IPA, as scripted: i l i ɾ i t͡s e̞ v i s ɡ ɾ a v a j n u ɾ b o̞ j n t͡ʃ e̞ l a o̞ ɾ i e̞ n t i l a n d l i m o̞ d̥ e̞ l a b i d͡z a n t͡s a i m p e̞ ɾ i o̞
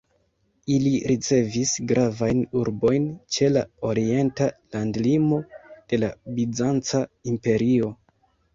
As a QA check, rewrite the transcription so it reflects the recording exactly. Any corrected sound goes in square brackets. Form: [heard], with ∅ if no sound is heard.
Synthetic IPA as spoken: i l i ɾ i t͡s e̞ v i s ɡ ɾ a v a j n u ɾ b o̞ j n t͡ʃ e̞ l a o̞ ɾ i e̞ n t [a] l a n d l i m o̞ d̥ e̞ l a b i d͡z a n t͡s a i m p e̞ ɾ i o̞

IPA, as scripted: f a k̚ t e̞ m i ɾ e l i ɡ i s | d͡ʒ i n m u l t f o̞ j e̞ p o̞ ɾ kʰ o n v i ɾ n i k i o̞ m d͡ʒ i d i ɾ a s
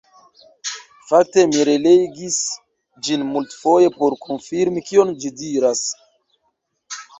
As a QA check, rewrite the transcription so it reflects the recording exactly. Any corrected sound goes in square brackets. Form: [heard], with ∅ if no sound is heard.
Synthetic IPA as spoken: f a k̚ t e̞ m i ɾ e l [e] ɡ i s | d͡ʒ i n m u l t f o̞ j e̞ p o̞ ɾ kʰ o n [f] i ɾ [m] i k i o̞ [n] d͡ʒ i d i ɾ a s

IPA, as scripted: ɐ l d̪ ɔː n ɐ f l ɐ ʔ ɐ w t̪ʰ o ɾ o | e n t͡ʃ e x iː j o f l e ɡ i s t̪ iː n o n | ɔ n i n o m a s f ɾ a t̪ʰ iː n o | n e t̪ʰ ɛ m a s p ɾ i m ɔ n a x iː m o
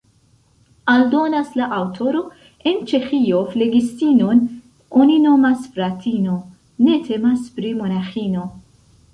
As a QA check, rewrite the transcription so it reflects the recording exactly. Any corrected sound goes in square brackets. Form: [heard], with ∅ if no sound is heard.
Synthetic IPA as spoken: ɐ l d̪ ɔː n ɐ [s] l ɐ ʔ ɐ w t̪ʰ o ɾ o | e n t͡ʃ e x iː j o f l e ɡ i s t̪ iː n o n | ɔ n i n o m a s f ɾ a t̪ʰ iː n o | n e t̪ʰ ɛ m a s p ɾ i m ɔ n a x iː [n] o

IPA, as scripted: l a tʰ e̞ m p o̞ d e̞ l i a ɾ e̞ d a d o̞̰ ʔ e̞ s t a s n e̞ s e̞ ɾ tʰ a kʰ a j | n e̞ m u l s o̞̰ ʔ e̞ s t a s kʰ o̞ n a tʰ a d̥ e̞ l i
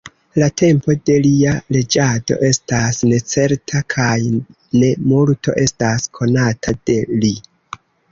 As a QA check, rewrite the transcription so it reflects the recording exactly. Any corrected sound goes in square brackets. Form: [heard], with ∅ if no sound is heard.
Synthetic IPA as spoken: l a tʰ e̞ m p o̞ d e̞ l i a [l] e̞ [d͡ʒ] a d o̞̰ ʔ e̞ s t a s n e̞ [t͡s] e̞ ɾ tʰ a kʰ a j | n e̞ m u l [t] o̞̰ ʔ e̞ s t a s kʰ o̞ n a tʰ a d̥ e̞ l i

